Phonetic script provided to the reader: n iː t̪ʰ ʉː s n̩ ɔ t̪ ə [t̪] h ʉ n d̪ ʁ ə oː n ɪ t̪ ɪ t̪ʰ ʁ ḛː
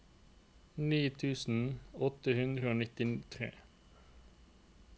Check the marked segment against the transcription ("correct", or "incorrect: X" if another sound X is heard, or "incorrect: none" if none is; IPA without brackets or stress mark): incorrect: none